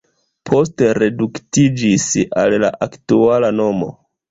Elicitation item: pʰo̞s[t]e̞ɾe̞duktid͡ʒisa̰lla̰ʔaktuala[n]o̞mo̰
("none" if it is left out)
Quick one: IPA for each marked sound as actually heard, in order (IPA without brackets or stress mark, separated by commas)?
t, n